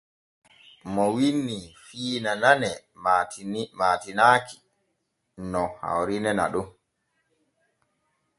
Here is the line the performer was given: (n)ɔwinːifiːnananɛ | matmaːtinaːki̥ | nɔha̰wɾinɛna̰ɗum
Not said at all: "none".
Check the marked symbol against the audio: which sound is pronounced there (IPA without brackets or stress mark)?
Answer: m